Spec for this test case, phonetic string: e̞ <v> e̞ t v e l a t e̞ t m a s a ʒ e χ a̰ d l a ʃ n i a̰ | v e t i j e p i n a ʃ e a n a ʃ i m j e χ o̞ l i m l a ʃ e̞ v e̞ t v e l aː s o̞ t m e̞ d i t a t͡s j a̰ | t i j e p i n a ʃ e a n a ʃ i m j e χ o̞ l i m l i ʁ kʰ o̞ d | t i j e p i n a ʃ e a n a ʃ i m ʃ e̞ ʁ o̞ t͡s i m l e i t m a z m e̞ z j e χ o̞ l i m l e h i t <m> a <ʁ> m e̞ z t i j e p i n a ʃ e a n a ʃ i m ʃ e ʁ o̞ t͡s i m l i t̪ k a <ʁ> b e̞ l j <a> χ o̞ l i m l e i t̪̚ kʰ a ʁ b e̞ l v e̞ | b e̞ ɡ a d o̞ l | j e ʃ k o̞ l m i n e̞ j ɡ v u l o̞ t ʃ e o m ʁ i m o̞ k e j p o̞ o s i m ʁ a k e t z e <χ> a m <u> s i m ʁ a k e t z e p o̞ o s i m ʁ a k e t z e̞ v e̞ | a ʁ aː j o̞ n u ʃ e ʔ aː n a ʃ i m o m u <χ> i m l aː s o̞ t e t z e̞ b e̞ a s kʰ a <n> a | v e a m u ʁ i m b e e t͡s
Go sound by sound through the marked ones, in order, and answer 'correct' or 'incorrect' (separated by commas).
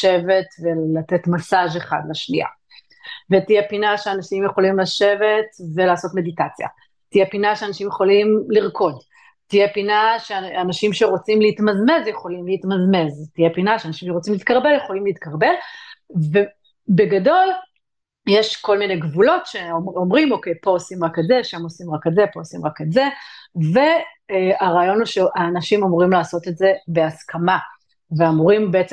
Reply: correct, correct, incorrect, correct, incorrect, incorrect, incorrect, incorrect, incorrect